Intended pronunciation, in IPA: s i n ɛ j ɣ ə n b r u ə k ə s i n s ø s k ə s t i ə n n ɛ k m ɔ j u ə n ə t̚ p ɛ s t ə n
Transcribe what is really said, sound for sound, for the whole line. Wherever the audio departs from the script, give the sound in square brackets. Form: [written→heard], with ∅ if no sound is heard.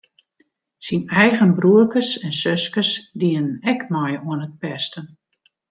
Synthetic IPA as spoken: s i n ɛ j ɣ ə n b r u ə k ə s [i→ɛ] n s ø s k ə s [t→d] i ə n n ɛ k m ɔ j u ə n ə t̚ p ɛ s t ə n